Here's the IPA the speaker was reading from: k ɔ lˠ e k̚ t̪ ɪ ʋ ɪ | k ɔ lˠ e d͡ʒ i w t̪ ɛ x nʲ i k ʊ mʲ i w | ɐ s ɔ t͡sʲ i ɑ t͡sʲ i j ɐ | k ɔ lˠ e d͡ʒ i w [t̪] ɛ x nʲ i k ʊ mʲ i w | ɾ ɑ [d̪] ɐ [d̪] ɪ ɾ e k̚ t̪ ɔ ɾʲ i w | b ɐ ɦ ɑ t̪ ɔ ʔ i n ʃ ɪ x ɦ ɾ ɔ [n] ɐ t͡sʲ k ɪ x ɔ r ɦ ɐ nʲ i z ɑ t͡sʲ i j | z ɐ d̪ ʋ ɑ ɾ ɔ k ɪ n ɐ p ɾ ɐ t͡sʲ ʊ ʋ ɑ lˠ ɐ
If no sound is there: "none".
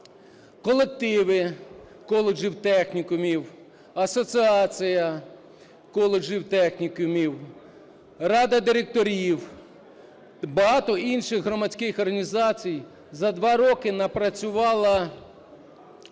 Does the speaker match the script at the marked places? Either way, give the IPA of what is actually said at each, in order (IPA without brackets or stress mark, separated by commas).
t̪, d̪, d̪, m